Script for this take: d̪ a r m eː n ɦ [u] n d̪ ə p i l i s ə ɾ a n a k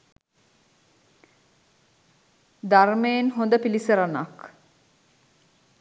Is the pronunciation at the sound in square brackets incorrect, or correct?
incorrect